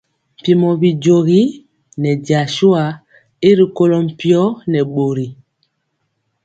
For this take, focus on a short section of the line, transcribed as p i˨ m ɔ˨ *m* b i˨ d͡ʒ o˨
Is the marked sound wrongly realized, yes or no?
yes